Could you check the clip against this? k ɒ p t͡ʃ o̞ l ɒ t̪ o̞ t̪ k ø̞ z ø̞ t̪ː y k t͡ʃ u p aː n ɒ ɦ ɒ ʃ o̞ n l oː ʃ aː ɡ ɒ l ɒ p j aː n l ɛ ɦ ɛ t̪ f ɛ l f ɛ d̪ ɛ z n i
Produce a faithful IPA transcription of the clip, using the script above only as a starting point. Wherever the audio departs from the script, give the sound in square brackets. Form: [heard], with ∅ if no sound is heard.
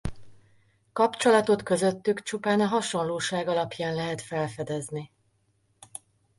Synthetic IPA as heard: k ɒ p t͡ʃ o̞ l ɒ t̪ o̞ t̪ k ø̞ z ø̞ t̪ː y k t͡ʃ u p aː n ɒ ɦ ɒ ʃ o̞ n l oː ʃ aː ɡ ɒ l ɒ p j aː n l ɛ ɦ ɛ t̪ f ɛ l f ɛ d̪ ɛ z n i